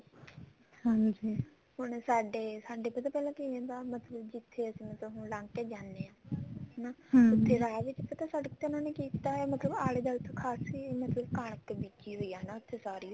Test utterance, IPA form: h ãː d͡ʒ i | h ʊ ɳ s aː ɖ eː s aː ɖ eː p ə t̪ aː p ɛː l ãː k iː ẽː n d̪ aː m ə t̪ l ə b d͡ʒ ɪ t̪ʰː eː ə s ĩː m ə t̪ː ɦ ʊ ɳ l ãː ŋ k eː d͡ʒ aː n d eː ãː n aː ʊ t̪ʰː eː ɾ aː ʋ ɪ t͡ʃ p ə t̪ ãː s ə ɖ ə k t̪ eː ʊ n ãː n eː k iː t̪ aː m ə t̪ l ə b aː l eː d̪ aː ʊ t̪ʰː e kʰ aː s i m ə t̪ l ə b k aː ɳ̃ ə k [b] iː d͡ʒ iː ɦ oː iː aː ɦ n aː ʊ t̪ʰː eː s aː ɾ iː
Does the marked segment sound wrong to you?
no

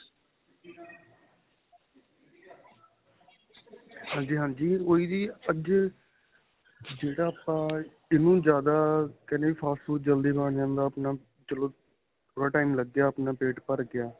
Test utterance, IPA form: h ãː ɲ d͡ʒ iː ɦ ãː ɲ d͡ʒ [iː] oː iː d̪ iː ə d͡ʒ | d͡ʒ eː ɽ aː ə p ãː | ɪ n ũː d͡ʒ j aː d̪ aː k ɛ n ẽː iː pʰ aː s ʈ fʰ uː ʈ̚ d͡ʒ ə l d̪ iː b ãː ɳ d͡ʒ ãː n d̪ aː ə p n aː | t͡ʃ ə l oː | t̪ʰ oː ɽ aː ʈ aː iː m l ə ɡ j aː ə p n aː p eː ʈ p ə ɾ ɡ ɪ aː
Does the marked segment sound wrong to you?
no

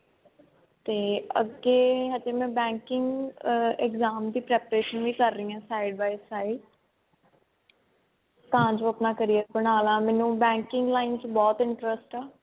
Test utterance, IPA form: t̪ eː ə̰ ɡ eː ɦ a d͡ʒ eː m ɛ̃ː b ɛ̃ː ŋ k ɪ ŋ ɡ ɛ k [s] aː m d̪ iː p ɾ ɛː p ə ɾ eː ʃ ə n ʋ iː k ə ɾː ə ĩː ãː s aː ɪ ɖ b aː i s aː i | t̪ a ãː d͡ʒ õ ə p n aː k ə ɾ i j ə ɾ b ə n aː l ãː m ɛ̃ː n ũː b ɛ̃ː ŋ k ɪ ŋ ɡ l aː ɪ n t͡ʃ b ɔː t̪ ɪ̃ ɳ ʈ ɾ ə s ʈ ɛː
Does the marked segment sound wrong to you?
yes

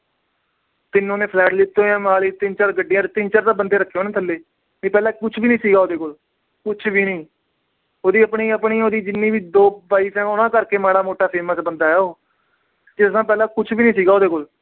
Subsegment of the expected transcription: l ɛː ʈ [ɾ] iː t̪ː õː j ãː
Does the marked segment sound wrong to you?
yes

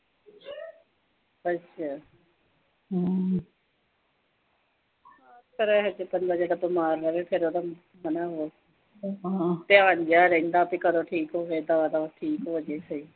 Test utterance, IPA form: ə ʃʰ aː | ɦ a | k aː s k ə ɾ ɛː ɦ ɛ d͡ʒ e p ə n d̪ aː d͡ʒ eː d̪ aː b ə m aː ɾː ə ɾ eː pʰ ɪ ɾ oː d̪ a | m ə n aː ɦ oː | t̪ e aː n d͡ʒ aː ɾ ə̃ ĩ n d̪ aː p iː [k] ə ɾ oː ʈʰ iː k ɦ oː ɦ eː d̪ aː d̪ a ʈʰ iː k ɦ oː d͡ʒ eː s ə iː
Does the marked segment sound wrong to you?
no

